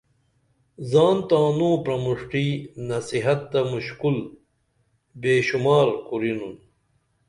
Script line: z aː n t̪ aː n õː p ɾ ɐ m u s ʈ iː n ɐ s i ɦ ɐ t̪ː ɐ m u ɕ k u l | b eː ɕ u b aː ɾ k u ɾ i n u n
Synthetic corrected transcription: z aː n t̪ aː n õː p ɾ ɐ m u ʂ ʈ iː n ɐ s i ɦ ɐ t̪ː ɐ m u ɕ k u l | b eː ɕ u m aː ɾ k u ɾ i n u n